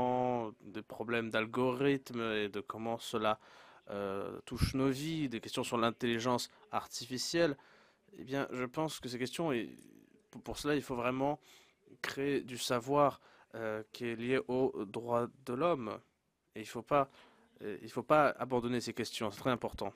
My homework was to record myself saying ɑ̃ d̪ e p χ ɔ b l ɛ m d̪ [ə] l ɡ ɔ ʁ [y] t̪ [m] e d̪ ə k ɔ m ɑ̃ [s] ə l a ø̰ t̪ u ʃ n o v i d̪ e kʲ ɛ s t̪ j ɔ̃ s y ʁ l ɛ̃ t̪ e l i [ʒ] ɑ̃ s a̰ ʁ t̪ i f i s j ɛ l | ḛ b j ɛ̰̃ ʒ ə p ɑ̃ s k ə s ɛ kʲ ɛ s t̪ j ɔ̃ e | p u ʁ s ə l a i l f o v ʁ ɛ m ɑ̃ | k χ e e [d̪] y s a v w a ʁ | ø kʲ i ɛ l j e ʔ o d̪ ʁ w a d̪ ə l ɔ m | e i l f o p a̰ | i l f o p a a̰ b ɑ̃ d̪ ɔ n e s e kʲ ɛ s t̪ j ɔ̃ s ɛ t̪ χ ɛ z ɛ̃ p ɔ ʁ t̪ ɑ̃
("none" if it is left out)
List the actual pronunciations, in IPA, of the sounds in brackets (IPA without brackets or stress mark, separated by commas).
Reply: a, i, m, s, ʒ, d̪